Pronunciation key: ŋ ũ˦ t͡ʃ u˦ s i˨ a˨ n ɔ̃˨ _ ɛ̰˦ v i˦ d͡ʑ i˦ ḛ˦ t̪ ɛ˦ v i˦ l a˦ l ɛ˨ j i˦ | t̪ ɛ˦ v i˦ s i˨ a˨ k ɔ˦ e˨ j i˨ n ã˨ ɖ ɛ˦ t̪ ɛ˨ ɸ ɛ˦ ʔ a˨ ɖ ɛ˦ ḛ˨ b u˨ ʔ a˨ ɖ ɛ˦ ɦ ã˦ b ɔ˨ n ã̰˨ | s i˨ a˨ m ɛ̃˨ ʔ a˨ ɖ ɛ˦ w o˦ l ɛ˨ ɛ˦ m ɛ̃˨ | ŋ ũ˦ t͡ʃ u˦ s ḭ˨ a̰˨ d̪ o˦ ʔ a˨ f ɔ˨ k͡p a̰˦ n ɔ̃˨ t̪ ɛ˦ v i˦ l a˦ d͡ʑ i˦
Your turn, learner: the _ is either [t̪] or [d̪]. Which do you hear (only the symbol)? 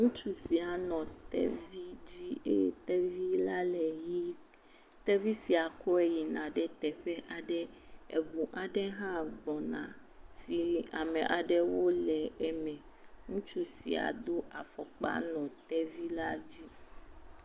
t̪